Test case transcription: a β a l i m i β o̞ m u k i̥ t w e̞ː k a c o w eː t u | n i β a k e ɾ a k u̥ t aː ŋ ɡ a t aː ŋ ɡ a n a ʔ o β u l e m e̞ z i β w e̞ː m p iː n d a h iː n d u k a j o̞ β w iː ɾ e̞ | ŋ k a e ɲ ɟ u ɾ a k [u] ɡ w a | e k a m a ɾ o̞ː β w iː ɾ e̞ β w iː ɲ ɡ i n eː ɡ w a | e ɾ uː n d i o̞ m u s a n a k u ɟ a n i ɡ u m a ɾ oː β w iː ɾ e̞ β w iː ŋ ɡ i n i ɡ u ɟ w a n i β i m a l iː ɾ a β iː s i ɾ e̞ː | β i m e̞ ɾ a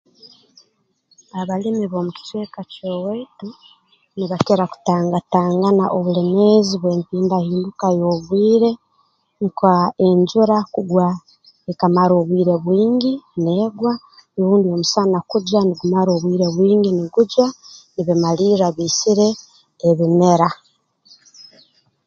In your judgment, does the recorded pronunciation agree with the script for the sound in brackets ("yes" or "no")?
yes